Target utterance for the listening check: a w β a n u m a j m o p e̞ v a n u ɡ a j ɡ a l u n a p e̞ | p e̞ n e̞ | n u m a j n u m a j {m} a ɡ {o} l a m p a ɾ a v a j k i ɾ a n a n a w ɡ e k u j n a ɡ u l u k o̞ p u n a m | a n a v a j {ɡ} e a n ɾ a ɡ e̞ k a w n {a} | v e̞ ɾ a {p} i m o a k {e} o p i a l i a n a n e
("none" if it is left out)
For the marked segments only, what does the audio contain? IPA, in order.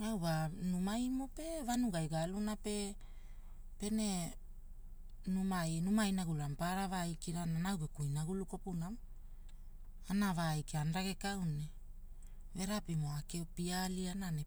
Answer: n, u, k, e, p, e

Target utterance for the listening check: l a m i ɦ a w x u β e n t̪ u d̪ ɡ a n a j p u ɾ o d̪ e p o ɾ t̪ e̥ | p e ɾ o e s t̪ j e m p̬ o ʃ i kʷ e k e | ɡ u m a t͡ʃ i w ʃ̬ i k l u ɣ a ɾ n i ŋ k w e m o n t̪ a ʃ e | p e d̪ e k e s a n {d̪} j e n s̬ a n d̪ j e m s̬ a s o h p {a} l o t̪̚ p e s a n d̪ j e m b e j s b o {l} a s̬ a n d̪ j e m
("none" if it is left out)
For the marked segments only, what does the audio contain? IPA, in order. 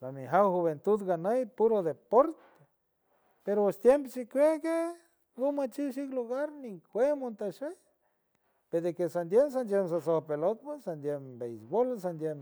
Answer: d̪, e, l

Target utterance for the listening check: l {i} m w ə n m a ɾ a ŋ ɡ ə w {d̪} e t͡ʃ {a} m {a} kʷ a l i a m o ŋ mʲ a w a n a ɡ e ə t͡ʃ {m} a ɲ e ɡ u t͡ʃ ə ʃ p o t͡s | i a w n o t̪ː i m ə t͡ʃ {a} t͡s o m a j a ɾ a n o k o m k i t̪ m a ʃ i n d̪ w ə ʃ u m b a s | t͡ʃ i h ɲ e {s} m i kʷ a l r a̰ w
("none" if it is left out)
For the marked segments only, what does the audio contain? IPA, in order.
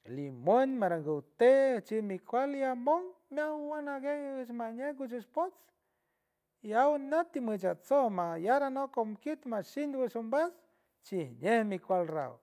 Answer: i, t̪, i, i, m, a, h

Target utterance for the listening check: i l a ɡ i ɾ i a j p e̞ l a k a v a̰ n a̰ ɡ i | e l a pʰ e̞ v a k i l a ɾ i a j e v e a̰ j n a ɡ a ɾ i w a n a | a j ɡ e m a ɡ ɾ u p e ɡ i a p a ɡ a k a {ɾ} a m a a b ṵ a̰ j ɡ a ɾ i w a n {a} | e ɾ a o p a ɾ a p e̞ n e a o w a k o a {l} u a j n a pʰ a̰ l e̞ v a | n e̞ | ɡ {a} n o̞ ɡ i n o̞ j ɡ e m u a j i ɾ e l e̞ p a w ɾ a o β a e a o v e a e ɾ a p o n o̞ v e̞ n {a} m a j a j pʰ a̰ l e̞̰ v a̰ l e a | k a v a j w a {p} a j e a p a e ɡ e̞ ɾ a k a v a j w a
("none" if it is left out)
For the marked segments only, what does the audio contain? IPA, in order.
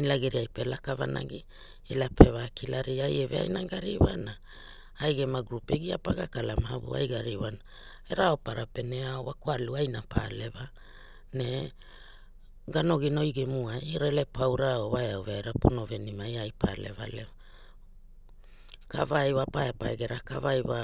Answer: l, a, l, a, i, p

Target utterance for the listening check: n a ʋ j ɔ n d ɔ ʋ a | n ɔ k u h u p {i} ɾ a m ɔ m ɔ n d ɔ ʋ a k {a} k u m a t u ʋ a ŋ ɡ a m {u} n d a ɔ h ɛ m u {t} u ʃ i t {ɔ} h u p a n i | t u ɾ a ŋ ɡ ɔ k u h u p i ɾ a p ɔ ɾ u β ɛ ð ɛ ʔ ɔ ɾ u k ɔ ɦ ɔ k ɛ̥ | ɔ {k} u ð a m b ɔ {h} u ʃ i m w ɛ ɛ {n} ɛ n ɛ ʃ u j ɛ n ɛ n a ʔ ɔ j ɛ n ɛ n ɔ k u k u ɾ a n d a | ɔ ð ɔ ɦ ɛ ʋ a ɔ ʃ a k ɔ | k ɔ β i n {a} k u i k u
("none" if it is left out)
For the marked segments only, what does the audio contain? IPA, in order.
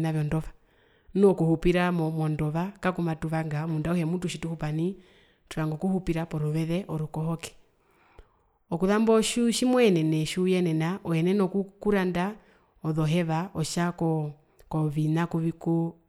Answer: i, a, u, t, u, k, ʃ, n, a

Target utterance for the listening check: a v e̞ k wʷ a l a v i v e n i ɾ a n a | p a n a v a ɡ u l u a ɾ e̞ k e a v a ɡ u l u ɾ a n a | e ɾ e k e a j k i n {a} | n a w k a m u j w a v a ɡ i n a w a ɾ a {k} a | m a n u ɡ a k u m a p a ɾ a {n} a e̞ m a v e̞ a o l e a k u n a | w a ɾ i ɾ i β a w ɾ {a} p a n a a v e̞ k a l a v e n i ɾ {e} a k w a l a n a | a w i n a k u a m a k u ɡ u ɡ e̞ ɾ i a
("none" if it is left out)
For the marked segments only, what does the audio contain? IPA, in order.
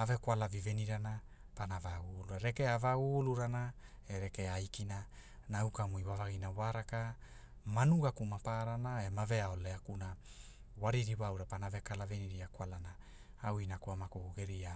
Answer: a, k, n, a, i

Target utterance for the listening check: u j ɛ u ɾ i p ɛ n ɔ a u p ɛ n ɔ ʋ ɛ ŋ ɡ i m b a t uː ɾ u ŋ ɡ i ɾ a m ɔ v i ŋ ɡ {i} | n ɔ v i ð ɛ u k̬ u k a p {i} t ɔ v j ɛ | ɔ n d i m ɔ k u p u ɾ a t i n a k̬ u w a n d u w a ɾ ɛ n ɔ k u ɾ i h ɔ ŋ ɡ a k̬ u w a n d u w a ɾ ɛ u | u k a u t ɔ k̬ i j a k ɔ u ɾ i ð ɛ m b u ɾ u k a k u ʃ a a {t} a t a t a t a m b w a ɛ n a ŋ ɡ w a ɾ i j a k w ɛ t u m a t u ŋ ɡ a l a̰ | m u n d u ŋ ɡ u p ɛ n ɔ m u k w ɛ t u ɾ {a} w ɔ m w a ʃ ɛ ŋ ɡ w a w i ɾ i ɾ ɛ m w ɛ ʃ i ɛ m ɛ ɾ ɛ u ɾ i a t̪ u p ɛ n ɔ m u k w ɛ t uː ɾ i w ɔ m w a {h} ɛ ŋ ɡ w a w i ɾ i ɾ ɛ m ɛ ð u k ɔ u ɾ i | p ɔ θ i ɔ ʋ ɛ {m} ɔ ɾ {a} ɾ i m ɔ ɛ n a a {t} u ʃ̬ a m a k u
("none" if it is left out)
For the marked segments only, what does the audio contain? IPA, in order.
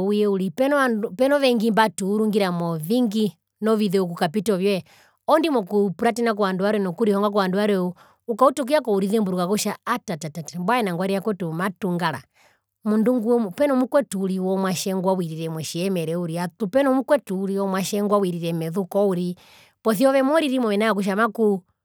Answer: i, i, t, i, ʃ, m, i, k

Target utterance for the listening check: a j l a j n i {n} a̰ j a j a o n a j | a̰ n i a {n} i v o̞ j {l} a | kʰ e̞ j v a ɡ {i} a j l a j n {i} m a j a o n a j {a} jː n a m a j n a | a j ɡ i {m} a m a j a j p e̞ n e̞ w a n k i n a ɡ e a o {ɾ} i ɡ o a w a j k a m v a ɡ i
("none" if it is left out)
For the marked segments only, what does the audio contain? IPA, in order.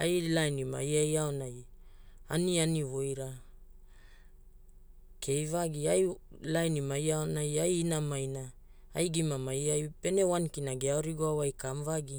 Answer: m, n, ɾ, i, i, a, m, ɾ

